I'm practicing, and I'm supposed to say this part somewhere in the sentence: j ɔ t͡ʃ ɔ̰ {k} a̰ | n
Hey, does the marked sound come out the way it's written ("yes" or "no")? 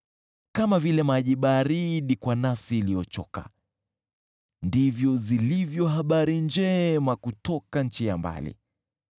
yes